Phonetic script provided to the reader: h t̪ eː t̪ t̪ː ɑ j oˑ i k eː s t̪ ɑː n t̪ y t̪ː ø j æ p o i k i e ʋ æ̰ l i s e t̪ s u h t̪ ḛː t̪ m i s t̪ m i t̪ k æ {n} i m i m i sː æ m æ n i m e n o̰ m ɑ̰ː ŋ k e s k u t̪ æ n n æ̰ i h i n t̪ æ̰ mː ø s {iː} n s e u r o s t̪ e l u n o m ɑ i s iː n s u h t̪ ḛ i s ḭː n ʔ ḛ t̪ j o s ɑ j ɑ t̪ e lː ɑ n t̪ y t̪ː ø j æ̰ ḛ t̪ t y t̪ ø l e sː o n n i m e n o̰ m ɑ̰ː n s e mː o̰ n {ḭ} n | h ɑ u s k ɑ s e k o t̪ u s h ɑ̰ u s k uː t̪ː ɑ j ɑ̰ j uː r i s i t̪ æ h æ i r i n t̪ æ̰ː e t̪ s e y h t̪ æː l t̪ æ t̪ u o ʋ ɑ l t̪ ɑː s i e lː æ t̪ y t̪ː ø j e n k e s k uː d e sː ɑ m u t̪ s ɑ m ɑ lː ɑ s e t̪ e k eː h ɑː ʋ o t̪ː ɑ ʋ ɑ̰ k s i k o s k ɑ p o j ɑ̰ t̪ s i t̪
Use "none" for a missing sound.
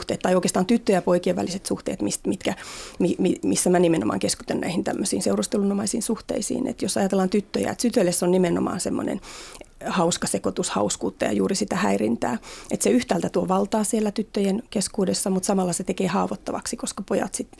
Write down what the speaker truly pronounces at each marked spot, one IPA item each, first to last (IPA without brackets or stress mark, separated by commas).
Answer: m, iː, ḛ